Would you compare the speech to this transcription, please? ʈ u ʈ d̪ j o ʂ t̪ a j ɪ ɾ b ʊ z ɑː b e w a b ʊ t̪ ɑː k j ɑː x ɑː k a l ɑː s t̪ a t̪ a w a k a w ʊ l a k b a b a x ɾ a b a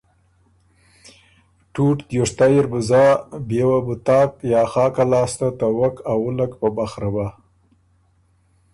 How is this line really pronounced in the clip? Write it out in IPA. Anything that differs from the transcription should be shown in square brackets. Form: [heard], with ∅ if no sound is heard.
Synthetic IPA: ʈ u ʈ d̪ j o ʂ t̪ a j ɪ ɾ b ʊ z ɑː b e w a b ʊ t̪ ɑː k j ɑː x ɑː k a l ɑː s t̪ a t̪ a w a k a w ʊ l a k [p] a b a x ɾ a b a

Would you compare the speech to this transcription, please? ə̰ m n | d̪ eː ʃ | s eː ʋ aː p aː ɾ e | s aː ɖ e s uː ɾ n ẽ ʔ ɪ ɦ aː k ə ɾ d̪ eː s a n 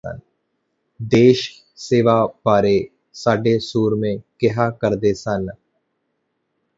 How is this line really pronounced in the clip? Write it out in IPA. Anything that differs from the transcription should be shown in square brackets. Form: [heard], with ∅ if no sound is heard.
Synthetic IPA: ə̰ [∅] n | d̪ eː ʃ | s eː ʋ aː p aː ɾ e | s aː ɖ e s uː ɾ [m] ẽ [k] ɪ ɦ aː k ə ɾ d̪ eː s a n

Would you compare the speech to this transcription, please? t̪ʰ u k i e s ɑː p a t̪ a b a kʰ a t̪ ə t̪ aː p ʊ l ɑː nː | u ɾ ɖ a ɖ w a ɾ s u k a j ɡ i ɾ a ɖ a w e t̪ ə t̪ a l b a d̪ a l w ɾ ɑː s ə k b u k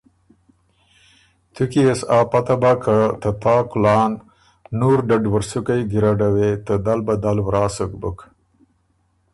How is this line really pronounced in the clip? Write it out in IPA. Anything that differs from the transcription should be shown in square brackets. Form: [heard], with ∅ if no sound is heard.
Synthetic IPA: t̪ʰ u k i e s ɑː p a t̪ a b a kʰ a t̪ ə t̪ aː [k] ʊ l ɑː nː | u ɾ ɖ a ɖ w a ɾ s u k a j ɡ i ɾ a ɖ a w e t̪ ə [d̪] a l b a d̪ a l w ɾ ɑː s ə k b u k

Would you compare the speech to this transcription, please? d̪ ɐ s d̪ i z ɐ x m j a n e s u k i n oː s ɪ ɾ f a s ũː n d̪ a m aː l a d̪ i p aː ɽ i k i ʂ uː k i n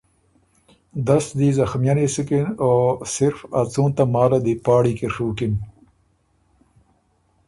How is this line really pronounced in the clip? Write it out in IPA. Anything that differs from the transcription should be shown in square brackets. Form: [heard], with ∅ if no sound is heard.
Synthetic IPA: d̪ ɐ s d̪ i z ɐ x m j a n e s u k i n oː s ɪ ɾ f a [t͡s] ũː n [t̪] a m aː l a d̪ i p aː ɽ i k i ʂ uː k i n

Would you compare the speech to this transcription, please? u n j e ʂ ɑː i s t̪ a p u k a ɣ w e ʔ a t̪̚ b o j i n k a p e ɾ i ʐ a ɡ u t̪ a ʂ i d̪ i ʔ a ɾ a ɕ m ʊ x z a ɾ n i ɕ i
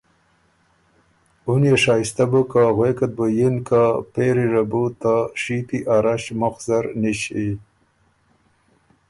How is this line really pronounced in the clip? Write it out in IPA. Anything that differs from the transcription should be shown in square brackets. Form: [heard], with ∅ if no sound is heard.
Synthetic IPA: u n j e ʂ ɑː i s t̪ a [b] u k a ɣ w e [k] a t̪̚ b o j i n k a p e ɾ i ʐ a [b] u t̪ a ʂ i [t̪] i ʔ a ɾ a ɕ m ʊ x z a ɾ n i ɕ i

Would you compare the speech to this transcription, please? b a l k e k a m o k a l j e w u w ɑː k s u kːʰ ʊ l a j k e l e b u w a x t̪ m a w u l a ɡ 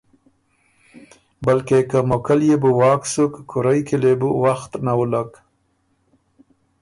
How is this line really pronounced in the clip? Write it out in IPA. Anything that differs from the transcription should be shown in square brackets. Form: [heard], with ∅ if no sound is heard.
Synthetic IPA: b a l k e k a m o k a l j e [b] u w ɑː k s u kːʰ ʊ [ɾ] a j k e l e b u w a x t̪ [n] a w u l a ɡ

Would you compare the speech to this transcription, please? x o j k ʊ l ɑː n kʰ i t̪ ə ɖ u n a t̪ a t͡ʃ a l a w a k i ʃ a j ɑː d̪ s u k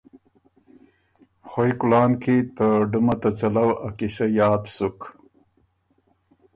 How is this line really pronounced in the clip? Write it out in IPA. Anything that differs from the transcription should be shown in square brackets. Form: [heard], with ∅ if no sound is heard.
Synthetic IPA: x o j k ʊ l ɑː n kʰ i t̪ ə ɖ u [m] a t̪ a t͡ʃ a l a w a k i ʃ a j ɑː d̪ s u k

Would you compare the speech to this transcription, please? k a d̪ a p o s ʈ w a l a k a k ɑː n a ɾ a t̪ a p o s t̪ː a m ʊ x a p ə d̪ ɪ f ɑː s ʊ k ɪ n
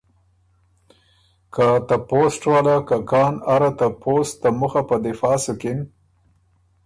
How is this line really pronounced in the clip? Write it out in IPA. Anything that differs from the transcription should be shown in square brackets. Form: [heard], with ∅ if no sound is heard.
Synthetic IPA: k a [t̪] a p o s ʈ w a l a k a k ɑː n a ɾ a t̪ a p o s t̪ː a m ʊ x a p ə d̪ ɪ f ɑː s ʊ k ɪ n

